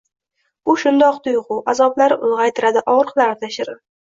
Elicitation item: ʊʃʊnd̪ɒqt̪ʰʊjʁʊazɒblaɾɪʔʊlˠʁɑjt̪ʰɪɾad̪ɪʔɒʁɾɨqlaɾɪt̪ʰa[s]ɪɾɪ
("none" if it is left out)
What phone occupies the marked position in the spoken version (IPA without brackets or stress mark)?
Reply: ʃ